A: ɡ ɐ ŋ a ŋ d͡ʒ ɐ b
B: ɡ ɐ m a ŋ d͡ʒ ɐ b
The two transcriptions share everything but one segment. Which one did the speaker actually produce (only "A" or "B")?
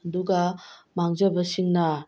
B